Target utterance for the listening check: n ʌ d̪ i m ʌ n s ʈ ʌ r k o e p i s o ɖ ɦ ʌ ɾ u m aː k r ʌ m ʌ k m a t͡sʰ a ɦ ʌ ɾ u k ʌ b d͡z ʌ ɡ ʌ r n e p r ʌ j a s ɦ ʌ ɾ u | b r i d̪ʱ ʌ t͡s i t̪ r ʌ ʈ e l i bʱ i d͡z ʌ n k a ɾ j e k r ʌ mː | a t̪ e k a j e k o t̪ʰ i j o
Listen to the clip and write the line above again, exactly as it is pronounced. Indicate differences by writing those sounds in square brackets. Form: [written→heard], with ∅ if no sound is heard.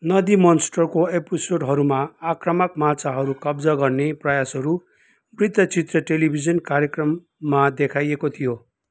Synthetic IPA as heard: n ʌ d̪ i m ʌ n s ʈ ʌ r k o e p i s o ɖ ɦ ʌ ɾ u m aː k r ʌ m ʌ k m a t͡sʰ a ɦ ʌ ɾ u k ʌ b d͡z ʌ ɡ ʌ r n e p r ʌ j a s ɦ ʌ ɾ u | b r i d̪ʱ ʌ t͡s i t̪ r ʌ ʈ e l i bʱ i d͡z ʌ n k a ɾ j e k r ʌ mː | a [t̪→d̪] e [k→kʰ] a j e k o t̪ʰ i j o